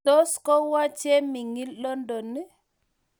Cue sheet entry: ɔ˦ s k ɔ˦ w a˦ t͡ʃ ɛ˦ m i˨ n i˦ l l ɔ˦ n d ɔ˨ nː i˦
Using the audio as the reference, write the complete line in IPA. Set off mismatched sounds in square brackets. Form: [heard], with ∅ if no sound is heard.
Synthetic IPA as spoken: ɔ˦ s k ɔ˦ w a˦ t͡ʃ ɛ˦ m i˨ [ŋ] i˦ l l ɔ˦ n d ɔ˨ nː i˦